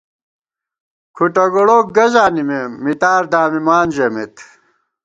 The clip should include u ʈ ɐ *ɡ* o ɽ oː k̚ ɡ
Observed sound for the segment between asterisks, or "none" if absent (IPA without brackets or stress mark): ɡ